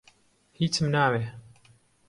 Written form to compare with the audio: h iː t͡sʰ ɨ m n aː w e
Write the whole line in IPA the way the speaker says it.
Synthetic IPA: h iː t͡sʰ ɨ m n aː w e